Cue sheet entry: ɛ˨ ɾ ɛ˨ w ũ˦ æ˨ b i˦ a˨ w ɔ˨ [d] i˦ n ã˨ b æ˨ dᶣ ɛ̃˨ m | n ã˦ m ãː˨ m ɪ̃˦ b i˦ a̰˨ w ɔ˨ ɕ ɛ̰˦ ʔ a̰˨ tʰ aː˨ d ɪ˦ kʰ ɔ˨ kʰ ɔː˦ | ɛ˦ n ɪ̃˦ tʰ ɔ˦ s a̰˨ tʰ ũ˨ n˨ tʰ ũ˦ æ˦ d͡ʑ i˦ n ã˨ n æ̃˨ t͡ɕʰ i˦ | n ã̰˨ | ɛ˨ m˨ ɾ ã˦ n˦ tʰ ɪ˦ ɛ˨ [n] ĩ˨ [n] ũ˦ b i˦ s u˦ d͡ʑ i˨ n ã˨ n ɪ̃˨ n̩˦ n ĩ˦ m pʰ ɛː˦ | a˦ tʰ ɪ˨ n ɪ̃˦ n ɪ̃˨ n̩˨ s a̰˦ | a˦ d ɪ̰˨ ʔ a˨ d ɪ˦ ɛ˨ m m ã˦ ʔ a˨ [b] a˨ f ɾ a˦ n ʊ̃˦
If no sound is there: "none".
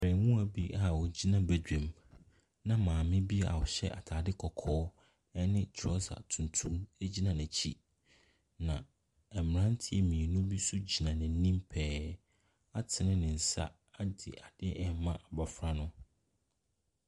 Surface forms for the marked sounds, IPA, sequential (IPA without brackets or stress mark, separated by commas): d͡ʑ, m, n, b